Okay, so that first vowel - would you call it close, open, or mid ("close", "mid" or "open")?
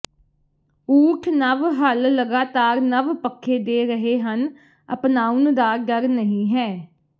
close